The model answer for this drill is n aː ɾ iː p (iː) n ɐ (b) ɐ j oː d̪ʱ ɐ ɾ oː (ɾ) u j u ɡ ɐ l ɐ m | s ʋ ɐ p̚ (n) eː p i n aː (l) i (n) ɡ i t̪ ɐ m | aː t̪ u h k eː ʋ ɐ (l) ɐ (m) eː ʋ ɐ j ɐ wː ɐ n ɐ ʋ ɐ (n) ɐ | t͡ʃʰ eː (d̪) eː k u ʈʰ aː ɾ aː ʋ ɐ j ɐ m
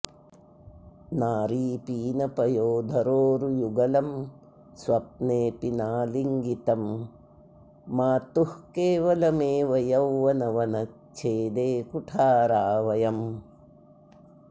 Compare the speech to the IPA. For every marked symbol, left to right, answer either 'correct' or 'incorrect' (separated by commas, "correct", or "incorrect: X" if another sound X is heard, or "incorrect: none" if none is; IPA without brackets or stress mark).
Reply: correct, incorrect: p, correct, correct, correct, incorrect: ŋ, correct, correct, correct, correct